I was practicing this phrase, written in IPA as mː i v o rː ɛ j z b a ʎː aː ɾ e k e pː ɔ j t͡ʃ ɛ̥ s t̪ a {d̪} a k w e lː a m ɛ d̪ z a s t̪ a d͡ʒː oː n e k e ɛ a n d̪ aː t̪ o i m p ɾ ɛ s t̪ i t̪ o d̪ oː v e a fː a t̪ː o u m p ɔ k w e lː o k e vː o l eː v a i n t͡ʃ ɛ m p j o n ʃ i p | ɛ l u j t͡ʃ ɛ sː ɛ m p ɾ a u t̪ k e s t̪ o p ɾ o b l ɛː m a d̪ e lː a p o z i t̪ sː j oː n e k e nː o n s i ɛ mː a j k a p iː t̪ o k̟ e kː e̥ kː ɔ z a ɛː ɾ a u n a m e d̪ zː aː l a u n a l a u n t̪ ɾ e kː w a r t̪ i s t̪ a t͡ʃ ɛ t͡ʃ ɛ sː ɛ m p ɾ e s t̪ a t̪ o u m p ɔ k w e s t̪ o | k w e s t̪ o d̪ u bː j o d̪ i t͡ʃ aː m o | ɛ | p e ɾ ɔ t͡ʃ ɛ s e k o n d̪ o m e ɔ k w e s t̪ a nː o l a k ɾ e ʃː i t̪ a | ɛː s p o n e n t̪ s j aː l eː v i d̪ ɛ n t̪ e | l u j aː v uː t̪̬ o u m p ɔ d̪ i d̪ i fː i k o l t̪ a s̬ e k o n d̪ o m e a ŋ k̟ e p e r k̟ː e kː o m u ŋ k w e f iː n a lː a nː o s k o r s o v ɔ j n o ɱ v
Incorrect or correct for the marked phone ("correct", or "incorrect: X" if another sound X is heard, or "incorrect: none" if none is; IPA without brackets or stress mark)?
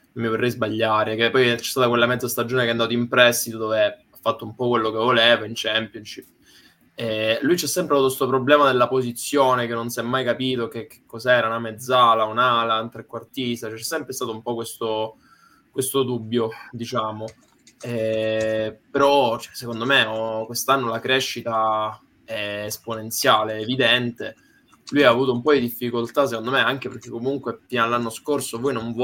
incorrect: t̪